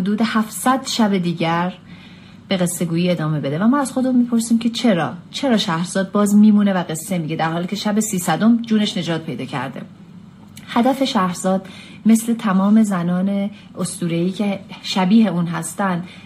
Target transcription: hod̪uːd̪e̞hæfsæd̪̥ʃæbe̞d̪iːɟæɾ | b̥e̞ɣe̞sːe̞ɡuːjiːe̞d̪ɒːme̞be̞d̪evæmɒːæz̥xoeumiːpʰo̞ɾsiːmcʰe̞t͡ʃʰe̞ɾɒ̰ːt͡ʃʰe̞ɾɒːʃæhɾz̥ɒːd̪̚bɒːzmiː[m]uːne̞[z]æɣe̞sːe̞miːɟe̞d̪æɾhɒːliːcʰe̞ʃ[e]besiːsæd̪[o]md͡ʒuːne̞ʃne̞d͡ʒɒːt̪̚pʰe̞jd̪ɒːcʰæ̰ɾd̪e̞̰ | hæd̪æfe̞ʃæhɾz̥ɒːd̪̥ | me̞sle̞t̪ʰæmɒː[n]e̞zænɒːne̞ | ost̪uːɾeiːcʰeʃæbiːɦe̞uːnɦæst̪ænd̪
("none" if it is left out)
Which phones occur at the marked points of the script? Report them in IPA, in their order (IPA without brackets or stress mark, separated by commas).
m, v, æ, o, m